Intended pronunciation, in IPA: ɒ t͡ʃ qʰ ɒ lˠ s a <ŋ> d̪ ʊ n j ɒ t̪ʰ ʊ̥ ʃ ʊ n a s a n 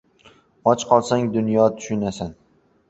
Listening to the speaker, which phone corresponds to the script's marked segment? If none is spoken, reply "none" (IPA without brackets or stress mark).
ŋ